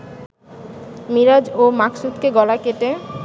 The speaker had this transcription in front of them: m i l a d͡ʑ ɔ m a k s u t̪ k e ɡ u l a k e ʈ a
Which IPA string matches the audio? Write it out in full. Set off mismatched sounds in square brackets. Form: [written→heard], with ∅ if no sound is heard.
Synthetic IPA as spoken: m i [l→ɾ] a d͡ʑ [ɔ→o] m a k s u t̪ k e ɡ [u→ɔ] l a k e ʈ [a→e]